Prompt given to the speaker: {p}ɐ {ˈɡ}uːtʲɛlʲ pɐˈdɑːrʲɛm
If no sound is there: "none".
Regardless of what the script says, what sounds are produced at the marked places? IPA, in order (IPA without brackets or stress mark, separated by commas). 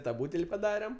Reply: t, b